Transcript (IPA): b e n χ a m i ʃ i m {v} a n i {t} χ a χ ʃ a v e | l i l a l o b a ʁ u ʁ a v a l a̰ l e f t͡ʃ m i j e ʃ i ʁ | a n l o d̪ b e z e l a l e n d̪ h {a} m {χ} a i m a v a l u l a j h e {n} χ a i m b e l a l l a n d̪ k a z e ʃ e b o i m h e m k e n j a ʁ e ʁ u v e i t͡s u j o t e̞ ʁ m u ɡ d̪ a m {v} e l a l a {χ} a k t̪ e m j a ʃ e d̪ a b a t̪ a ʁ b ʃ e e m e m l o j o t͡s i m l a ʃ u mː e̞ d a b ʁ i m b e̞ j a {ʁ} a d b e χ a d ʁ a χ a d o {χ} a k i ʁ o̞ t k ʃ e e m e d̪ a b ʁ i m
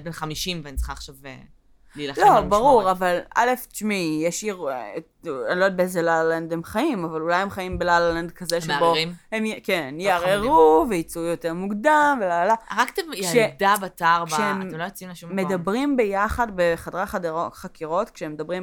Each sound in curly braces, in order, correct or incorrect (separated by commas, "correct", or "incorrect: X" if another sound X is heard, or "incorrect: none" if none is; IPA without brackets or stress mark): correct, incorrect: t͡s, incorrect: e, correct, incorrect: m, correct, incorrect: ʁ, incorrect: χ, correct